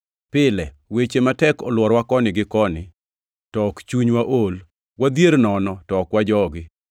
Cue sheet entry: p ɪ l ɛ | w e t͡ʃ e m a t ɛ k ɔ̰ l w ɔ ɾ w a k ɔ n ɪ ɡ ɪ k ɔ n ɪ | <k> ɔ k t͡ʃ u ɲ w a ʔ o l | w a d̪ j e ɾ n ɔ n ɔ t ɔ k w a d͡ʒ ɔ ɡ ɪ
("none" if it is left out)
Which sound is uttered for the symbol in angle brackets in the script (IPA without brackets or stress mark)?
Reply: t